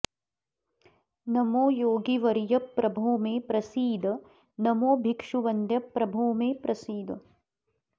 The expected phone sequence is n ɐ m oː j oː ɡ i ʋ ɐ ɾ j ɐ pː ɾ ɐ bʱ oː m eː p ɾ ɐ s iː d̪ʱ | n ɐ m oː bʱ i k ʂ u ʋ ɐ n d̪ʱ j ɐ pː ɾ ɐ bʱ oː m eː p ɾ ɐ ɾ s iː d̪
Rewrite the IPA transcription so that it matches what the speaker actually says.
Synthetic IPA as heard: n ɐ m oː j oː ɡ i ʋ ɐ ɾ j ɐ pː ɾ ɐ bʱ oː m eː p ɾ ɐ s iː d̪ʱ | n ɐ m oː bʱ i k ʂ u ʋ ɐ n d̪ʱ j ɐ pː ɾ ɐ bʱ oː m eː p ɾ ɐ s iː d̪